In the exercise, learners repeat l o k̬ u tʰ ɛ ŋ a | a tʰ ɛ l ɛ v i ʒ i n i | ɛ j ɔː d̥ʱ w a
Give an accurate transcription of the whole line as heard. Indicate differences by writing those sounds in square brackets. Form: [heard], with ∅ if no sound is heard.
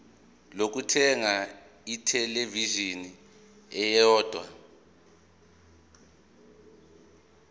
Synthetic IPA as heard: l o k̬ u tʰ ɛ ŋ a | [i] tʰ ɛ l [e] v i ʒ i n i | ɛ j ɔː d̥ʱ w a